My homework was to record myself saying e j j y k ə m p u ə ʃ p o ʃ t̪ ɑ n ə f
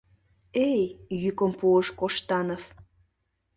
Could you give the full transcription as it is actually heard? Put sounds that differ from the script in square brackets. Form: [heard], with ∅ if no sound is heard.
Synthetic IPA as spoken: e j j y k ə m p u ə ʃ [k] o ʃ t̪ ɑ n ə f